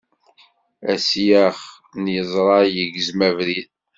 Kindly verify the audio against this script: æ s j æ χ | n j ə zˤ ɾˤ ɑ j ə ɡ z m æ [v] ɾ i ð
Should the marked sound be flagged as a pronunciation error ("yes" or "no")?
no